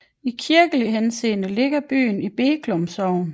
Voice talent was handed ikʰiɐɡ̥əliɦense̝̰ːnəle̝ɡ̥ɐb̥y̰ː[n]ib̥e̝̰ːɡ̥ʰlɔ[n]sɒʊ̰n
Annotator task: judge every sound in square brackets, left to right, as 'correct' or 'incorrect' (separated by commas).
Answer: correct, incorrect